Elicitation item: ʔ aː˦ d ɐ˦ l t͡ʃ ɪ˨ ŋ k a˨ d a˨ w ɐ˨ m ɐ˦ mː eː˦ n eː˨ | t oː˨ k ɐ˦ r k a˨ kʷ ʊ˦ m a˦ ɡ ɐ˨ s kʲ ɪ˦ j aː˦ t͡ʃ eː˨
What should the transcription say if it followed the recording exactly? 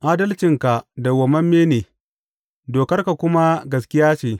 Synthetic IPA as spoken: ʔ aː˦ d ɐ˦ l t͡ʃ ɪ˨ ŋ k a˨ d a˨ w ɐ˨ m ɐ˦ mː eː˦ n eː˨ | d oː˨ k ɐ˦ r k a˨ kʷ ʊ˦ m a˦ ɡ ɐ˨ s kʲ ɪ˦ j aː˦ t͡ʃ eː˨